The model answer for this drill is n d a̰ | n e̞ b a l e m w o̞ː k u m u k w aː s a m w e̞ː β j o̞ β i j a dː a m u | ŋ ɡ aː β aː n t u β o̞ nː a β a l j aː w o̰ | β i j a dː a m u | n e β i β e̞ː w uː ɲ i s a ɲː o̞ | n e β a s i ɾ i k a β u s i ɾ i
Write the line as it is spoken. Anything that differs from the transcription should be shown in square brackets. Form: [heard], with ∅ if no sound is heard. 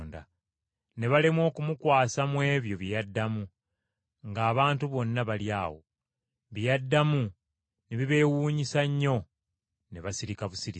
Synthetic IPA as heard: n d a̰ | n e̞ [β] a l e m w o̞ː k u m u k w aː s a m w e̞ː β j o̞ β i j a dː a m u | ŋ ɡ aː β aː n t u β o̞ nː a β a l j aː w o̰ | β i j a dː a m u | n e β i β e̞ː w uː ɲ i s a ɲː o̞ | n e β a s i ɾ i k a β u s i ɾ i